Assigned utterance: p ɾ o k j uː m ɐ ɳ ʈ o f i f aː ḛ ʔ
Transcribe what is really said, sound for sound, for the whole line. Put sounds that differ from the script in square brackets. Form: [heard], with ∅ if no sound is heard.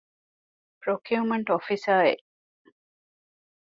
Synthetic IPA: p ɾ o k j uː m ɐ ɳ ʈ o f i [s] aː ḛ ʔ